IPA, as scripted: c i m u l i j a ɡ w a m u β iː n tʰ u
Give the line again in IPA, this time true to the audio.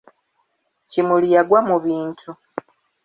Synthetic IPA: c i m u l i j a ɡ w a m u β iː n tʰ u